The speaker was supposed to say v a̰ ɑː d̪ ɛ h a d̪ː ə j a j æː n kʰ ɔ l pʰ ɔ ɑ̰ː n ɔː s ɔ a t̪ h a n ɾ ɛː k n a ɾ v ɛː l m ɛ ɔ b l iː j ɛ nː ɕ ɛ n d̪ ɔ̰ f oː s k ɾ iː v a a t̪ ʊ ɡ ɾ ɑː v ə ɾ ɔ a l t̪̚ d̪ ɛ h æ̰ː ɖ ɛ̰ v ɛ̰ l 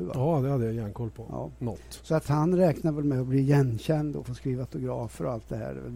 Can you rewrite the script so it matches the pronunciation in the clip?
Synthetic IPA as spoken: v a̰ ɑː d̪ ɛ h a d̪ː ə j a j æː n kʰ ɔ l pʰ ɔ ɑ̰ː n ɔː s ɔ a t̪ h a n ɾ ɛː k n a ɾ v ɛ l m ɛ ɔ b l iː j ɛ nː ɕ ɛ n d̪ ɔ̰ f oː s k ɾ iː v a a t̪ ʊ ɡ ɾ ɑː f ə ɾ ɔ a l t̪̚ d̪ ɛ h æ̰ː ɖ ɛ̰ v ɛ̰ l